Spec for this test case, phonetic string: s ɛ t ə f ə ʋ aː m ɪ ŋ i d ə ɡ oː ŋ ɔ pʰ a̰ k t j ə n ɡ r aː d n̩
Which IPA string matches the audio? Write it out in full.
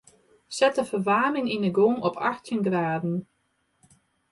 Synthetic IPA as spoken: s ɛ t ə f ə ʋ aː m ɪ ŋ i n ə ɡ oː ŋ ɔ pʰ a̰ x t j ə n ɡ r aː d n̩